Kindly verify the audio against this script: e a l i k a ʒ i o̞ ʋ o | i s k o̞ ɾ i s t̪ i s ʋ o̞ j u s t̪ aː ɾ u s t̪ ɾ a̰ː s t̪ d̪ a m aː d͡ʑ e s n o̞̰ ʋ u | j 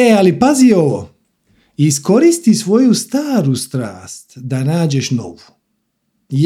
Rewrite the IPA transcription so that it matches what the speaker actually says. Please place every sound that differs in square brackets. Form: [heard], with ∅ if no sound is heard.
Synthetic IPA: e a l i [p] a [z] i o̞ ʋ o | i s k o̞ ɾ i s t̪ i s ʋ o̞ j u s t̪ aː ɾ u s t̪ ɾ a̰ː s t̪ d̪ a [n] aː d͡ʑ e [ʃ] n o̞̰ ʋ u | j